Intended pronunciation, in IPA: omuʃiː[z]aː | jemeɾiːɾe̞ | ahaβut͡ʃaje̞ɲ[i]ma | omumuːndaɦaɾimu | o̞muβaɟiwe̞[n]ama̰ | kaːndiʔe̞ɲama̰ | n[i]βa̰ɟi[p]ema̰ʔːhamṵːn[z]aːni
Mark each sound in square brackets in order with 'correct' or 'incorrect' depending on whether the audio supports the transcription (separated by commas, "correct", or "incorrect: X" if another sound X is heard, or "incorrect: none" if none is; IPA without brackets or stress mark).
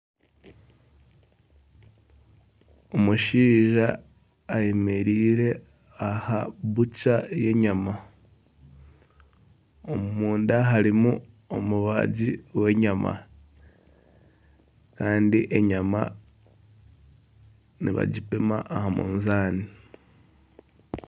incorrect: ʒ, incorrect: a, incorrect: ɲ, correct, correct, correct